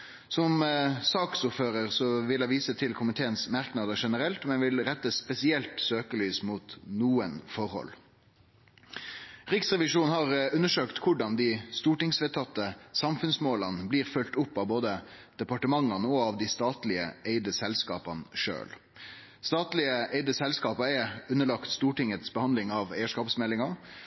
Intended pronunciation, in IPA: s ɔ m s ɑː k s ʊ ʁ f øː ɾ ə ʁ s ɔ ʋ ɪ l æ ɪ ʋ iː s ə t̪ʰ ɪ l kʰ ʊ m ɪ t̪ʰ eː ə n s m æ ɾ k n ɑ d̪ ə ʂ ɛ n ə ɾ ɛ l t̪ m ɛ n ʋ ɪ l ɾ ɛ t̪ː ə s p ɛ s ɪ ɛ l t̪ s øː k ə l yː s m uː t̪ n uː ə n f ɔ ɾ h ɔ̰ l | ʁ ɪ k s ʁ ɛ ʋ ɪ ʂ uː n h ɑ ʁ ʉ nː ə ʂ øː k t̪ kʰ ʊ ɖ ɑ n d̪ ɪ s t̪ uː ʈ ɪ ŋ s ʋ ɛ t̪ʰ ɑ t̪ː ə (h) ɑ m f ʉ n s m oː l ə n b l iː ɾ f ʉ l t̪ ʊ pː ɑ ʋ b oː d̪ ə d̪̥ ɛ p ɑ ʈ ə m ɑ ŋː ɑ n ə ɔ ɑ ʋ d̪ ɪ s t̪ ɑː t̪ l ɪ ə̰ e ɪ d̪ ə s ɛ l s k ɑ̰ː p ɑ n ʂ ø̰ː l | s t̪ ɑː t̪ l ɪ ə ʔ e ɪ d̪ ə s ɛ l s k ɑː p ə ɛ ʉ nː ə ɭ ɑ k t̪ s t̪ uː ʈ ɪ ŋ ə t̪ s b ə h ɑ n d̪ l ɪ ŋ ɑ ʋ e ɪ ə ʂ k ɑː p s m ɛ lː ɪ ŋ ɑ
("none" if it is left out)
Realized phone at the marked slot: s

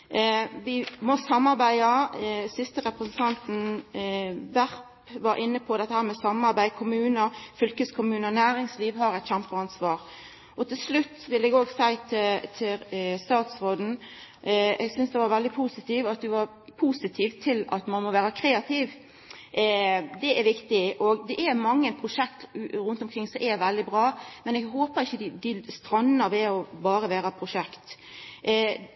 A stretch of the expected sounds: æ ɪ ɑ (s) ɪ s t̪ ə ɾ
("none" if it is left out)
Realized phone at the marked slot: s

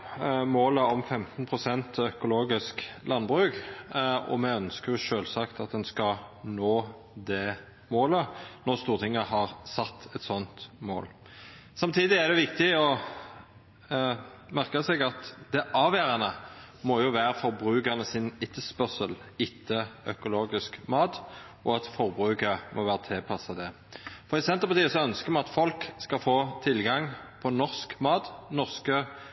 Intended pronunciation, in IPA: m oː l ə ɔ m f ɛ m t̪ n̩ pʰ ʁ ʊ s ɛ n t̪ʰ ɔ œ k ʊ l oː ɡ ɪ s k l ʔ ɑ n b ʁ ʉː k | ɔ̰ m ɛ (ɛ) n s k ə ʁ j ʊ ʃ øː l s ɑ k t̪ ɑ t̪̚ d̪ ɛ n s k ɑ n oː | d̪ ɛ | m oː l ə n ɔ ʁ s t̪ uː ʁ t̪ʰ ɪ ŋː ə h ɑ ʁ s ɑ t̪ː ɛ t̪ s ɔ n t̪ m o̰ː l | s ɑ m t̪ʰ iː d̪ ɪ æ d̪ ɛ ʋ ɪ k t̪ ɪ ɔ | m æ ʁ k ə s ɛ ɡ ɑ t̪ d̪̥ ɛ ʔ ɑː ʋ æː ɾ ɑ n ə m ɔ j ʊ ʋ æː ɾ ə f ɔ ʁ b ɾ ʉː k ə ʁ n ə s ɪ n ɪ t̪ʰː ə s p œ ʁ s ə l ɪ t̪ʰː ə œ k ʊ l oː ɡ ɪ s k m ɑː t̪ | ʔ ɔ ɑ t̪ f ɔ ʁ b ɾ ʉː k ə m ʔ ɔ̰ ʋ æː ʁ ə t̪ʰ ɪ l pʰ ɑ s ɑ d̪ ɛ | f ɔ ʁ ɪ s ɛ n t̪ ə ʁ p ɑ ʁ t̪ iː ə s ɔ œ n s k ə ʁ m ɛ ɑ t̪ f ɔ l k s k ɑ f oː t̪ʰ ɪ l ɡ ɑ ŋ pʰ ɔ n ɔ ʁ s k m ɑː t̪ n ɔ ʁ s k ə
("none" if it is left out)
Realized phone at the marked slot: œ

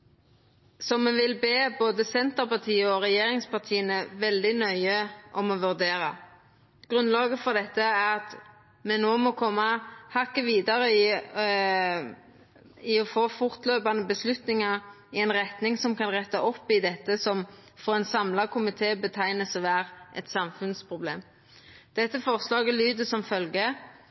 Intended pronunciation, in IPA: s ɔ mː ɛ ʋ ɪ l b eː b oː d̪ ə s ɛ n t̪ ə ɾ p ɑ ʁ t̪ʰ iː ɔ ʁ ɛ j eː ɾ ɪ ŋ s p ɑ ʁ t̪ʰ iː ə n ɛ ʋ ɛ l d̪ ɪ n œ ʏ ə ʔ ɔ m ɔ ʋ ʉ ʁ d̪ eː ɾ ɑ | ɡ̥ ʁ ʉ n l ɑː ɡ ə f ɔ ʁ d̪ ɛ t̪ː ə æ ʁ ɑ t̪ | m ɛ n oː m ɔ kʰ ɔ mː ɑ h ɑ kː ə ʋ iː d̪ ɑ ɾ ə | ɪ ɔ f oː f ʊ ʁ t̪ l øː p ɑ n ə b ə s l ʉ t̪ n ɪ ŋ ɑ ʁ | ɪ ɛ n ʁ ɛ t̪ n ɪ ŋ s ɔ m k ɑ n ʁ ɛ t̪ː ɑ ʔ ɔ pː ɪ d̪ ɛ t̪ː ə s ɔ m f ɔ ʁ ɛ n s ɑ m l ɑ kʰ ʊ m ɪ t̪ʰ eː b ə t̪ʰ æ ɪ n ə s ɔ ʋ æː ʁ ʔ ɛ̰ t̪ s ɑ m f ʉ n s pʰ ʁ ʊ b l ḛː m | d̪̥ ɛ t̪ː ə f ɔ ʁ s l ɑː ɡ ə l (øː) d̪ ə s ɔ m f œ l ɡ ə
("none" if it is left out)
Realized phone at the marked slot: yː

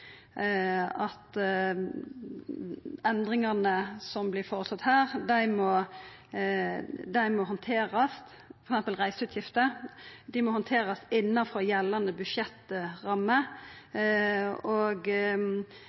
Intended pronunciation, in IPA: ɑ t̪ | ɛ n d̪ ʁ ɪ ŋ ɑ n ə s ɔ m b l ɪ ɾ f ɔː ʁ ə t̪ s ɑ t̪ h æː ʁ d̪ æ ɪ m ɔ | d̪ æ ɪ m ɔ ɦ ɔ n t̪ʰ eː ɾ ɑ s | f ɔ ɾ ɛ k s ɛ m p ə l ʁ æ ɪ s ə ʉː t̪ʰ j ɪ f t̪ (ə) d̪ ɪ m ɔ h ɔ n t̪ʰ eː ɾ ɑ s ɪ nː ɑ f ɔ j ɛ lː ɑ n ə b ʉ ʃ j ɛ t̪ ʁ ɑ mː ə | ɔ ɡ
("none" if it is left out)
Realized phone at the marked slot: ə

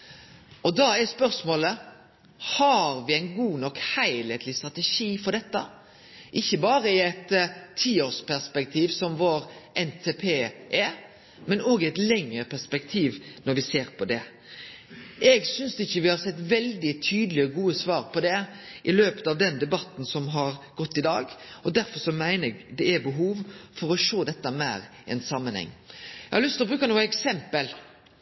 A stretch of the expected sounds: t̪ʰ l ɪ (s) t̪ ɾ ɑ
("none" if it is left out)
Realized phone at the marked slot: s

